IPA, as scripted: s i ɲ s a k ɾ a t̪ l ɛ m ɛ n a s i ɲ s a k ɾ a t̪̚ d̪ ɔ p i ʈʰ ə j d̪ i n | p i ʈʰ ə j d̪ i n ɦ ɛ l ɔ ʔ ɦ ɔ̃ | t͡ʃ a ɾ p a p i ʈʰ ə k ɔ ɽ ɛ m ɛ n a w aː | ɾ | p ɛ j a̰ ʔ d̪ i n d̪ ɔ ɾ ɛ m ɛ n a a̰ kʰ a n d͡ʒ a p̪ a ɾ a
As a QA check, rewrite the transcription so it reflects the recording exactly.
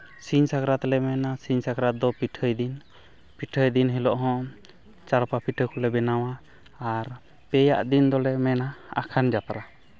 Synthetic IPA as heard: s i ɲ s a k ɾ a t̪ l ɛ m ɛ n a s i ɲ s a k ɾ a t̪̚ d̪ ɔ p i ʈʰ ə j d̪ i n | p i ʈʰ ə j d̪ i n ɦ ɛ l ɔ ʔ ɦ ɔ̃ | t͡ʃ a ɾ p a p i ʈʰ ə k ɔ l ɛ b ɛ n a w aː | ɾ | p ɛ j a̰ ʔ d̪ i n d̪ ɔ l ɛ m ɛ n a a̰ kʰ a n d͡ʒ a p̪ a ɾ a